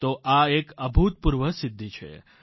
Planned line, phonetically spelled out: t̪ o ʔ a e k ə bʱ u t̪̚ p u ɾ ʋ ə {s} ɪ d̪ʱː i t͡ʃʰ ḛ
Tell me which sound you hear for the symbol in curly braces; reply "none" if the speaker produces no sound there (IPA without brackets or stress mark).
s